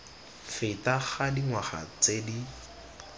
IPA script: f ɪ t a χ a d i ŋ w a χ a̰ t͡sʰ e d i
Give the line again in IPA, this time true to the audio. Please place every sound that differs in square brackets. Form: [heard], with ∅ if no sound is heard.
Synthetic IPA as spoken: f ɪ t a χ a d i ŋ w a χ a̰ [t͡s] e d i